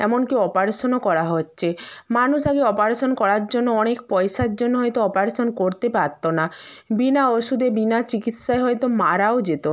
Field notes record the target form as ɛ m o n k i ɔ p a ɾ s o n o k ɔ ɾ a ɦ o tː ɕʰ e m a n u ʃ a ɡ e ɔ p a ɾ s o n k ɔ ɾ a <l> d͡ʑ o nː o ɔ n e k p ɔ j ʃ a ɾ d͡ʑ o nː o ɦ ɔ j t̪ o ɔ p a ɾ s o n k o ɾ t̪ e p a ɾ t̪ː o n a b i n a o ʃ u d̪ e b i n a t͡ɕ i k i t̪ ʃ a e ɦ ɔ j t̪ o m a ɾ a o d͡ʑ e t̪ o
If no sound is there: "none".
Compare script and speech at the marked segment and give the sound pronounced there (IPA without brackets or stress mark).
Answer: ɾ